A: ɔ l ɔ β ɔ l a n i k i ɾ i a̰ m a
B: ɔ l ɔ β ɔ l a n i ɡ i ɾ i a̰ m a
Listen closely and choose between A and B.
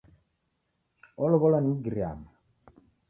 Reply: B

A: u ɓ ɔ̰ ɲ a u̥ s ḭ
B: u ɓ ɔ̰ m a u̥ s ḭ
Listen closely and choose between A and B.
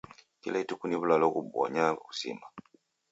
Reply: A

